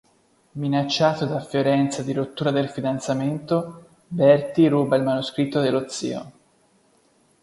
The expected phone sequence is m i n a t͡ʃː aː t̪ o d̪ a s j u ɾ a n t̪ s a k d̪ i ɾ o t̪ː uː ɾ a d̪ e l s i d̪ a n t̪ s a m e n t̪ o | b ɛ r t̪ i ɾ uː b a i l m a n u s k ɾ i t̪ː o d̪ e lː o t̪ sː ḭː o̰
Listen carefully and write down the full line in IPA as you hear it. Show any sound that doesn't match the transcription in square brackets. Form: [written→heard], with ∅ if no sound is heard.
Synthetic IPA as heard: m i n a t͡ʃː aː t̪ o d̪ a [s→f] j [u→o] ɾ [a→ɛ] n t̪ s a [k→∅] d̪ i ɾ o t̪ː uː ɾ a d̪ e l [s→f] i d̪ a n t̪ s a m e n t̪ o | b ɛ r t̪ i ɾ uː b a i l m a n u s k ɾ i t̪ː o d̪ e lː o t̪ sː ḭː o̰